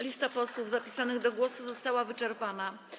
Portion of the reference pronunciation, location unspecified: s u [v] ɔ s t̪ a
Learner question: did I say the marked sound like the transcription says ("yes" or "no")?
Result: no